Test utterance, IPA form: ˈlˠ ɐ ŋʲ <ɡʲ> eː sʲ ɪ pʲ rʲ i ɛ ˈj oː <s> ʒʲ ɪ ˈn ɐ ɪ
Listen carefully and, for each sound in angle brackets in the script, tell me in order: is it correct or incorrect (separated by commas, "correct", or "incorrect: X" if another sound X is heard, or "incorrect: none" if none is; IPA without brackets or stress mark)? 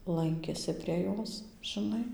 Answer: incorrect: kʲ, correct